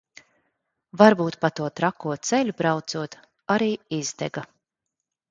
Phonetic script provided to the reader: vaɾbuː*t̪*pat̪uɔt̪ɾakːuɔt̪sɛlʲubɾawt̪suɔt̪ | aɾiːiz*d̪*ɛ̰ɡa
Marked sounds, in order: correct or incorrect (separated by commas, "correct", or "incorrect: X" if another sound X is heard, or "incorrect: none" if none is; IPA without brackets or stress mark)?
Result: correct, correct